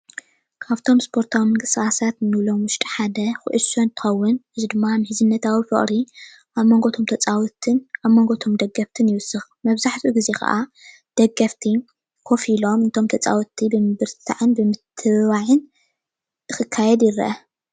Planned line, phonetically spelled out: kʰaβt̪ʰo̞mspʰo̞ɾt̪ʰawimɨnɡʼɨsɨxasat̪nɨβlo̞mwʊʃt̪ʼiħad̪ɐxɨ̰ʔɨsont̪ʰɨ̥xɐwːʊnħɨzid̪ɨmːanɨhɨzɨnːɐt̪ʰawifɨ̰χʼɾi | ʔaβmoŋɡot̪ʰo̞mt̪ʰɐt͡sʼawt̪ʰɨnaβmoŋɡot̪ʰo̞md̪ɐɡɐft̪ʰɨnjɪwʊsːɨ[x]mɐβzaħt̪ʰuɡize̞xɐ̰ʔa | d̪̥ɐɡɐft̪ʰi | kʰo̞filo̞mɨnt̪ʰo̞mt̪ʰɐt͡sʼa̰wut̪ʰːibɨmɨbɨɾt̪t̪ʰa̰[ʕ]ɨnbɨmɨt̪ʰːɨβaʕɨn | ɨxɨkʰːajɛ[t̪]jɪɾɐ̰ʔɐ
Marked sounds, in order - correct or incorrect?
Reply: correct, correct, incorrect

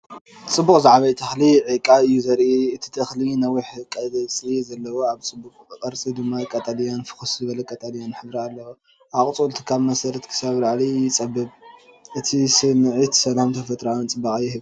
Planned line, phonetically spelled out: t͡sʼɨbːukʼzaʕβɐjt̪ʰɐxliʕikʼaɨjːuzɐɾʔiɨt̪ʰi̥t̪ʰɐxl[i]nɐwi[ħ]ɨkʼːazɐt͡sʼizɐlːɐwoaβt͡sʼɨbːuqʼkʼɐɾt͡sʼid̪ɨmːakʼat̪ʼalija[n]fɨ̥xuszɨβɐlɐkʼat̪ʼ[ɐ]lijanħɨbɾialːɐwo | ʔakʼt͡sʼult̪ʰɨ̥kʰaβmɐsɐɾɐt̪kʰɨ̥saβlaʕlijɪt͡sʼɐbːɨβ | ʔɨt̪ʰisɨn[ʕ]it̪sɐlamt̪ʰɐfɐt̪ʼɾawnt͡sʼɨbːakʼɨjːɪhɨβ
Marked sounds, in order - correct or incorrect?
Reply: correct, correct, correct, incorrect, correct

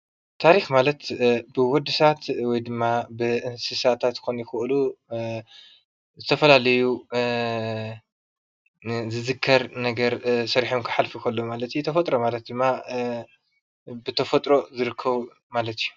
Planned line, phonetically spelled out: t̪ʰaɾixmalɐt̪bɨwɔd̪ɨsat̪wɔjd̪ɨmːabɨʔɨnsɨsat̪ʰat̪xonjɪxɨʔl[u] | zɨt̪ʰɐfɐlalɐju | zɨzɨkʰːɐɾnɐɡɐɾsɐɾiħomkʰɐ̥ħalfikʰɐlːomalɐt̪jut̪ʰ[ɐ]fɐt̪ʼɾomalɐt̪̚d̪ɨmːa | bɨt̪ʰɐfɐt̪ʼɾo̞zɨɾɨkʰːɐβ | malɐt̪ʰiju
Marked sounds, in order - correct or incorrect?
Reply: correct, correct

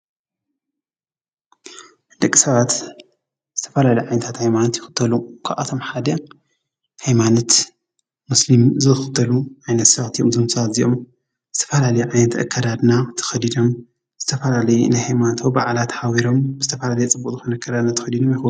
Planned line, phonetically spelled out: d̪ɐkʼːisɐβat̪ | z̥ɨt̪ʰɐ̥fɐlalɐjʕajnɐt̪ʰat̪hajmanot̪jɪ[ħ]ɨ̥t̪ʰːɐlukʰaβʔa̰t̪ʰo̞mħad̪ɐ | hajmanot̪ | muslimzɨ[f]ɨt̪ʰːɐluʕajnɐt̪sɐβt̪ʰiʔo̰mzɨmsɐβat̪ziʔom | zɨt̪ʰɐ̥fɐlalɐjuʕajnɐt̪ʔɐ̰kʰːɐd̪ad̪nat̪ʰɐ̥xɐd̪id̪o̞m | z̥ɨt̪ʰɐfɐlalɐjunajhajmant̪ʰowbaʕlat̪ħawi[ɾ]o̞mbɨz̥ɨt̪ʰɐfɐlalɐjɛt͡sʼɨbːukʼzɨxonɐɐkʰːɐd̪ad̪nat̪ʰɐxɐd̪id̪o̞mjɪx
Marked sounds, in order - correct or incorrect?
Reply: incorrect, incorrect, correct

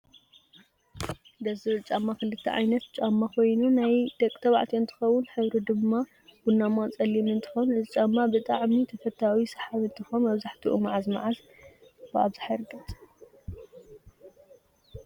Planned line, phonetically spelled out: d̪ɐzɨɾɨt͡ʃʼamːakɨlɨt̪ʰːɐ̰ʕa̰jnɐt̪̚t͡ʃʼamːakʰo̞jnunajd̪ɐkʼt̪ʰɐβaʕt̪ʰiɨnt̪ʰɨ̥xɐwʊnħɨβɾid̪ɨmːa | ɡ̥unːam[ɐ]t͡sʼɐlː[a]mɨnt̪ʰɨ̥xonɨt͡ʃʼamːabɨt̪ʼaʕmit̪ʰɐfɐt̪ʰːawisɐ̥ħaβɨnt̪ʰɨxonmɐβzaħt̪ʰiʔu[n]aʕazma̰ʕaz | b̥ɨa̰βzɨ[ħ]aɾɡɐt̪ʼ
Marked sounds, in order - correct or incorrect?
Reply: incorrect, incorrect, incorrect, correct

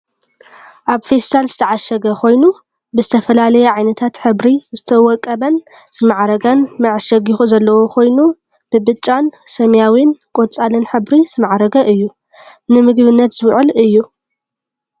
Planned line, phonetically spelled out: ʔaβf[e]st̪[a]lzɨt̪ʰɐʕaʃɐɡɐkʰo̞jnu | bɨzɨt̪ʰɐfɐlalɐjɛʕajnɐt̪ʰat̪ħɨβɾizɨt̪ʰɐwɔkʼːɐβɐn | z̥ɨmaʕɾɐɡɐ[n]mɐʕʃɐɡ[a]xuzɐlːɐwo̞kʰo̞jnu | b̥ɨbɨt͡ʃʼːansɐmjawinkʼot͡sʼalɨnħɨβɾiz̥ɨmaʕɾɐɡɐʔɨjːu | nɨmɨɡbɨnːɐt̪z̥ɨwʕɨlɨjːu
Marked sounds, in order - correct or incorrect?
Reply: correct, correct, correct, incorrect

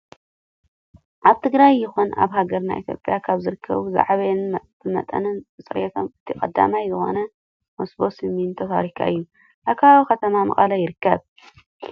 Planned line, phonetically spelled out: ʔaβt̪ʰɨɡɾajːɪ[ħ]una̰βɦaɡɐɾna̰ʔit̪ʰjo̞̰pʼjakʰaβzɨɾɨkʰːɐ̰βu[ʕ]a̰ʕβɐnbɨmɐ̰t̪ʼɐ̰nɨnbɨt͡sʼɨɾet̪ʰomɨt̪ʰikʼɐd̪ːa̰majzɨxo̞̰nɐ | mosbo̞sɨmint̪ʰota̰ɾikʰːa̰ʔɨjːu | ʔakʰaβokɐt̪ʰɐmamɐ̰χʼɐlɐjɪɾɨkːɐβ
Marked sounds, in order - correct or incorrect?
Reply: incorrect, incorrect

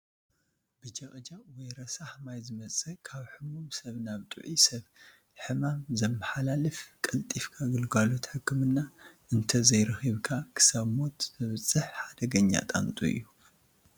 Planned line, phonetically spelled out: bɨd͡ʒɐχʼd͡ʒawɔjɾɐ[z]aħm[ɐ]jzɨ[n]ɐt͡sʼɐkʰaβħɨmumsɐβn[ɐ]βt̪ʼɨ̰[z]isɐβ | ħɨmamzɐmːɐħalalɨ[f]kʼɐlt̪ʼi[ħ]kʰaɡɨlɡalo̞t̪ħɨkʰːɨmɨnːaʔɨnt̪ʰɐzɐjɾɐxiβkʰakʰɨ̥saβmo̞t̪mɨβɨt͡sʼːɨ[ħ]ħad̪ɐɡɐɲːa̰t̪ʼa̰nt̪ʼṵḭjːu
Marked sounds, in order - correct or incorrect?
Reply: incorrect, incorrect, incorrect, incorrect, incorrect, correct, incorrect, correct

